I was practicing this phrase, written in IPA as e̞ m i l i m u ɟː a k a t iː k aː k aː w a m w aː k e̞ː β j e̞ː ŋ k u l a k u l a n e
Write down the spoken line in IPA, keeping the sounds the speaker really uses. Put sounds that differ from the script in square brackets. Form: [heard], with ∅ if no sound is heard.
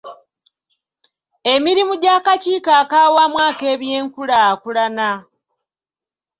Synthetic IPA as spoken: e̞ m i [ɾ] i m u [ɟ] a k a [c] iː k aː k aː w a m w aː k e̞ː β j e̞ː ŋ k u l a k u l a n [a]